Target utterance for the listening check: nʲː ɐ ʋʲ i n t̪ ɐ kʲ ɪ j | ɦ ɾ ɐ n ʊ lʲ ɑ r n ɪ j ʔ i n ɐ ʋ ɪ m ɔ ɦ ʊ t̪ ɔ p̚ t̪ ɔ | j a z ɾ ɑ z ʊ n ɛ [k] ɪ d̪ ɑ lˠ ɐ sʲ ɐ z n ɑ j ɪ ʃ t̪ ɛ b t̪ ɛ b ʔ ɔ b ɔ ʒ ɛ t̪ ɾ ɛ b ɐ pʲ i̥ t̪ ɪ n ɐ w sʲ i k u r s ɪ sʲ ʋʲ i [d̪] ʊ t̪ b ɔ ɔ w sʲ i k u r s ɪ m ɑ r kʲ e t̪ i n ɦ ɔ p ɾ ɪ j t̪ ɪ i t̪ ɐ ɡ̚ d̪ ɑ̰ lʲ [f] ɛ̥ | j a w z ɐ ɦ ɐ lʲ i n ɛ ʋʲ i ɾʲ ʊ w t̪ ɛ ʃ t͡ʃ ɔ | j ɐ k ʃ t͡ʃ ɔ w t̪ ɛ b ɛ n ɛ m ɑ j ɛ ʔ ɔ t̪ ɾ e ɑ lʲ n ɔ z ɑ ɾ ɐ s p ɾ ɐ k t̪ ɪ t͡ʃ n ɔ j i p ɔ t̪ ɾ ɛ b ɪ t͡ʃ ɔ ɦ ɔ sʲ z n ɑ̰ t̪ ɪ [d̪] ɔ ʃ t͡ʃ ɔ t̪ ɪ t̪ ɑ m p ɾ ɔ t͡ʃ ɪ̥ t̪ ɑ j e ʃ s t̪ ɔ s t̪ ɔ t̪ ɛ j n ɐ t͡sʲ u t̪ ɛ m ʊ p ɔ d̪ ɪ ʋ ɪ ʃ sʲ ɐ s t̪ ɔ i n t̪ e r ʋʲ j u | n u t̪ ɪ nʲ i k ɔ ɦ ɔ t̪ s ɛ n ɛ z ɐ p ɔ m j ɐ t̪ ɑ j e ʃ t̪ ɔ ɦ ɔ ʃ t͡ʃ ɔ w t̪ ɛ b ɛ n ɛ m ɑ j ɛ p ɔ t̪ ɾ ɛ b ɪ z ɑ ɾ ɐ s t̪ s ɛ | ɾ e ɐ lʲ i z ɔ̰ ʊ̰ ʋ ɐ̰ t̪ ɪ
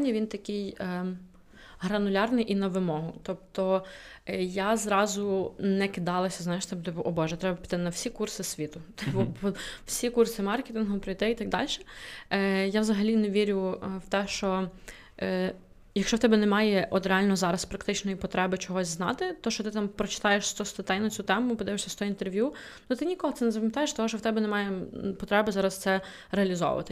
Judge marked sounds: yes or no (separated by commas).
yes, no, no, no